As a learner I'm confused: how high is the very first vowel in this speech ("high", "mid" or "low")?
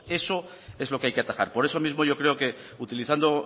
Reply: mid